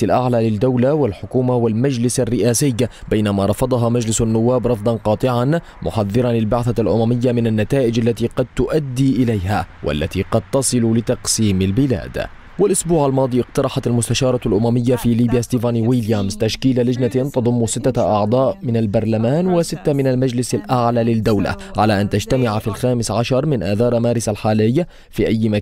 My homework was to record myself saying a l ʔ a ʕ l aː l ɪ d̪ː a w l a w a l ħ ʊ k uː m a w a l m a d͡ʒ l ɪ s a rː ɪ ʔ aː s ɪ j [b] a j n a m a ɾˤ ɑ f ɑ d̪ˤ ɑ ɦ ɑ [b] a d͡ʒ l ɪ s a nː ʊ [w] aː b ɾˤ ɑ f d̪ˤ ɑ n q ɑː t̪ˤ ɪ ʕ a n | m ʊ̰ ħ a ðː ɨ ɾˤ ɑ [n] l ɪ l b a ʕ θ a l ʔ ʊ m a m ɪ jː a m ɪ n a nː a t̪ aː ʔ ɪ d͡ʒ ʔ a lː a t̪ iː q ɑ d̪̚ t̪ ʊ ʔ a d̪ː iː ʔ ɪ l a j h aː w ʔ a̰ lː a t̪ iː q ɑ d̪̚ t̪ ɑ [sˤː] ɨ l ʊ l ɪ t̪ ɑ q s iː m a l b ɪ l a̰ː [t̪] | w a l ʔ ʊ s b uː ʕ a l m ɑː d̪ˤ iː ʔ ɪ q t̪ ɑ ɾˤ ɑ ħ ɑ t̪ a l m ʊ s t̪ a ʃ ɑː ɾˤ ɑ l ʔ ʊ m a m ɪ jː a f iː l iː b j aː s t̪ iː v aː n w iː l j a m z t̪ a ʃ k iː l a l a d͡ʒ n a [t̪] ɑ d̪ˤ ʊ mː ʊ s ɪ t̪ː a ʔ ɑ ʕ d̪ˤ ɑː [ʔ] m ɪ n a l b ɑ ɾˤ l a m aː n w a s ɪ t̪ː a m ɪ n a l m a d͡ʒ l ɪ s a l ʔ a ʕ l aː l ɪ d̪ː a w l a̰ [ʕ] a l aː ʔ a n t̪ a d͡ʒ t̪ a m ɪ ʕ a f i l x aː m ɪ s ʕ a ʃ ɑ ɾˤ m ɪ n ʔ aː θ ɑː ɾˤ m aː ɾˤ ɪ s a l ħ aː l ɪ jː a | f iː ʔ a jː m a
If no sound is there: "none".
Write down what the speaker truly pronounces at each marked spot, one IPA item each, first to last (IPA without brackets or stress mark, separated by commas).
b, m, wː, n, sˤ, d̪, t̪, ʔ, ʕ